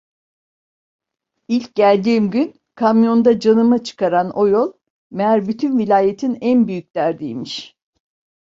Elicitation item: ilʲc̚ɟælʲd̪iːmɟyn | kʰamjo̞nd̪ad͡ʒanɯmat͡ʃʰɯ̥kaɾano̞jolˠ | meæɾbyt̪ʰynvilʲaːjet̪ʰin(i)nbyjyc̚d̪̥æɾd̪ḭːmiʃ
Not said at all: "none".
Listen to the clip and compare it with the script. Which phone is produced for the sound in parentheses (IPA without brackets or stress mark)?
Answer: æ